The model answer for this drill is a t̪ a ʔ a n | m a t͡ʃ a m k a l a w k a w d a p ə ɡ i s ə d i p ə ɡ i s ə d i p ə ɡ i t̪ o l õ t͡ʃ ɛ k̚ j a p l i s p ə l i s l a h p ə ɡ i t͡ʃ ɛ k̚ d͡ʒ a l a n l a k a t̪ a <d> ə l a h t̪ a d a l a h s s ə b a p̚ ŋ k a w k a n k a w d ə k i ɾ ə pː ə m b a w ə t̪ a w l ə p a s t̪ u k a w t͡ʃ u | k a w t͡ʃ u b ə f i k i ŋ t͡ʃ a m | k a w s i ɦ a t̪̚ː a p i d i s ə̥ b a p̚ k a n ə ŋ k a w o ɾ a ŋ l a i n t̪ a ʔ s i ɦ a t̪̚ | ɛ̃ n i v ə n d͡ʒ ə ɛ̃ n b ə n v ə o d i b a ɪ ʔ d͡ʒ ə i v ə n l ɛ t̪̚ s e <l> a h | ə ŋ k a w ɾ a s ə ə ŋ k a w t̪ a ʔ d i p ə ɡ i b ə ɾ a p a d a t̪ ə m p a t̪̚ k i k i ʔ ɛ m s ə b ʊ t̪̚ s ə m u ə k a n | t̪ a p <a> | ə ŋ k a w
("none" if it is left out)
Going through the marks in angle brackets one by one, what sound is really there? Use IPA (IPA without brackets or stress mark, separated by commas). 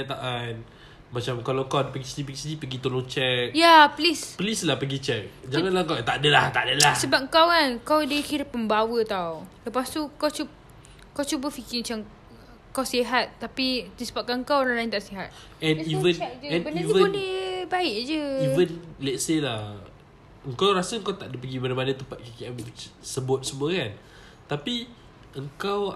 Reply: d, l, i